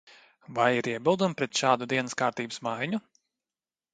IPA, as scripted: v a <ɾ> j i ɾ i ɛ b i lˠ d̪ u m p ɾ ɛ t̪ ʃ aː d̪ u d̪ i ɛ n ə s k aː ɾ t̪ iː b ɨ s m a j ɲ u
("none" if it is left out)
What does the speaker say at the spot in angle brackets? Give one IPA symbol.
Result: none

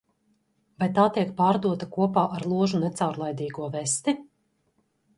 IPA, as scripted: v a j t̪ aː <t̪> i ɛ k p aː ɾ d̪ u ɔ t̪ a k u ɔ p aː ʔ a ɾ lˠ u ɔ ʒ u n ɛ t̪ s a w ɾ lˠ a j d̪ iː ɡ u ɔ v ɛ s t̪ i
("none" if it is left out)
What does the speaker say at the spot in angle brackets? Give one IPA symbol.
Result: t̪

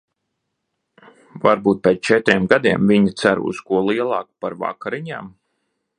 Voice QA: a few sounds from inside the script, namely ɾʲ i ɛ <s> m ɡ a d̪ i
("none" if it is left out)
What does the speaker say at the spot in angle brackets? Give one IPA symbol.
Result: none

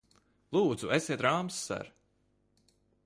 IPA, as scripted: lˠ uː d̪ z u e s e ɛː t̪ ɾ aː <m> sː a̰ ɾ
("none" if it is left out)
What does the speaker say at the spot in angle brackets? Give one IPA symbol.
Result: m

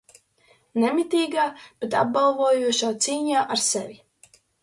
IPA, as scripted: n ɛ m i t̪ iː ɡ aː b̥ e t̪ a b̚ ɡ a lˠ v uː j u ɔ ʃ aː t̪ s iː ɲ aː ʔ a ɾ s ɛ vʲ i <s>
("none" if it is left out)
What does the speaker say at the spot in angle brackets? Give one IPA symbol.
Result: none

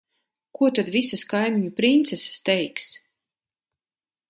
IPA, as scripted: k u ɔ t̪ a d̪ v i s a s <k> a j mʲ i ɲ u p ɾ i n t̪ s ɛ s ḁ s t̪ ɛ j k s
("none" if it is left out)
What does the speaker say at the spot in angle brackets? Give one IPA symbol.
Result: k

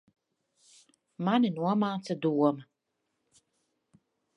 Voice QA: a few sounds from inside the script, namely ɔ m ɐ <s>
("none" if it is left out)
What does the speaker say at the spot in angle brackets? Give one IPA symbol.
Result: none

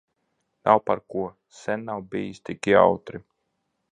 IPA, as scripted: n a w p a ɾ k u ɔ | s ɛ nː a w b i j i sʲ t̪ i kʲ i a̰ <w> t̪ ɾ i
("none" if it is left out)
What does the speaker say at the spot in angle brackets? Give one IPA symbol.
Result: w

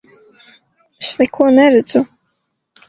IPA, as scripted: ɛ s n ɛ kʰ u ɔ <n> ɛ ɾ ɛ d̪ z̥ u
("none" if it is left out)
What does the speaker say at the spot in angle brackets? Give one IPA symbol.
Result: n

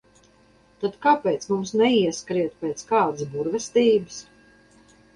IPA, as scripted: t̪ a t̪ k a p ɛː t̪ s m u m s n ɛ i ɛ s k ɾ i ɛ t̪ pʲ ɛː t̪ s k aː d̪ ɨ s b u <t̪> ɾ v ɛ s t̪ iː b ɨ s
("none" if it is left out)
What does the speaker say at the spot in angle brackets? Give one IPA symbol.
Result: none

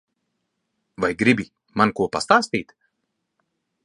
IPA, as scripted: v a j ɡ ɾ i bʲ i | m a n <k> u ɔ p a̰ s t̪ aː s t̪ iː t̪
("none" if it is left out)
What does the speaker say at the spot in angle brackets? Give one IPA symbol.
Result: k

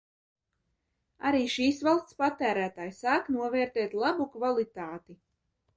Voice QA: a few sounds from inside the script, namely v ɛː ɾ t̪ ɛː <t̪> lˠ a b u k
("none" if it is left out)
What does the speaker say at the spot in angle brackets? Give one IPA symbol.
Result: t̪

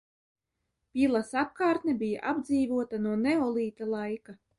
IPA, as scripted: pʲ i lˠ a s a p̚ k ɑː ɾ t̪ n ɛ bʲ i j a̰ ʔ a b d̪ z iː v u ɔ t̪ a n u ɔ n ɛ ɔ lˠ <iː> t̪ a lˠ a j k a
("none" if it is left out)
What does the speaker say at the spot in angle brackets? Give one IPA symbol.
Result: iː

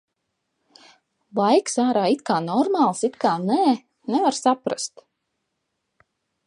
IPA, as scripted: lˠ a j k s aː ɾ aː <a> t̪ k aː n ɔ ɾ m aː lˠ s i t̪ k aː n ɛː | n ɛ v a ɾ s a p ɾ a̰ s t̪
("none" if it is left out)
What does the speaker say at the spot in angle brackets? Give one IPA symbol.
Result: i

